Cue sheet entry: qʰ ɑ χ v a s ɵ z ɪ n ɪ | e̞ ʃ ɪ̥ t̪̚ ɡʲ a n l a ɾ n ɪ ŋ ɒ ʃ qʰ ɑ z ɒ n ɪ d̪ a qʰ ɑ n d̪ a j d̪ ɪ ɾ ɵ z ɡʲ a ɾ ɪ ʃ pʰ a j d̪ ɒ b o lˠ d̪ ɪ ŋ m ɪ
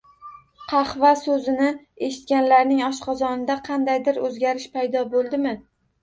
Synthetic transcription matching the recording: qʰ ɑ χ v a s ɵ z ɪ n ɪ | e̞ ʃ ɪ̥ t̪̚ kʲ a n l a ɾ n ɪ ŋ ɒ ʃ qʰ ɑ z ɒ n ɪ d̪ a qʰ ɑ n d̪ a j d̪ ɪ ɾ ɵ z ɡʲ a ɾ ɪ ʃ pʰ a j d̪ ɒ b o lˠ d̪ ɪ m ɪ